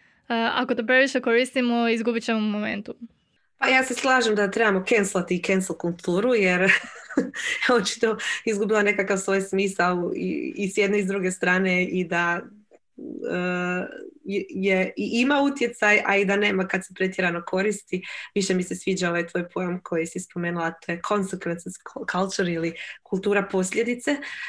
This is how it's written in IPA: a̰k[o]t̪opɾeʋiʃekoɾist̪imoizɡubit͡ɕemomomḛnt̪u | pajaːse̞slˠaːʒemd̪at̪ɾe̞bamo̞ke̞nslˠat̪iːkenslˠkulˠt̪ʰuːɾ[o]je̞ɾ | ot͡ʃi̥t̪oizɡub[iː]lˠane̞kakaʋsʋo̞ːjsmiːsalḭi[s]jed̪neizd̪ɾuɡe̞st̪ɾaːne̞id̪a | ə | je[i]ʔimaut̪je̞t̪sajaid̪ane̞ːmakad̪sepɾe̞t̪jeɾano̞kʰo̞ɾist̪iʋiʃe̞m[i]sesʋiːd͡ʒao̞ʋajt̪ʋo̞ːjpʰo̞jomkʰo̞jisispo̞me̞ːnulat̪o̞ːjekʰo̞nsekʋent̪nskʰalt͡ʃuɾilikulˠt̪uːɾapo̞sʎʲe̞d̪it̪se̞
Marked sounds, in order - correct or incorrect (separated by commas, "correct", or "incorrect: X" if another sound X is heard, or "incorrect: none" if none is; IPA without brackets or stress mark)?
correct, incorrect: u, incorrect: i, correct, correct, correct